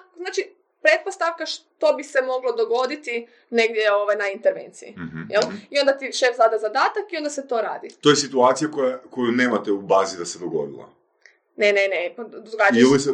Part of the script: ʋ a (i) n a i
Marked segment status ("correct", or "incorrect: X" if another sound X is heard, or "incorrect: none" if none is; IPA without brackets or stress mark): incorrect: j